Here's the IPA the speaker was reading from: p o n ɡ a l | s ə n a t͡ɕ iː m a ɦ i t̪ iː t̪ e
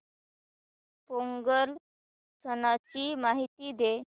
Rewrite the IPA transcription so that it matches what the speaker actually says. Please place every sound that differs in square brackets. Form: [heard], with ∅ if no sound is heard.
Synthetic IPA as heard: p o [ŋ] ɡ [ə] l | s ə n a t͡ɕ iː m a ɦ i t̪ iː [d̪] e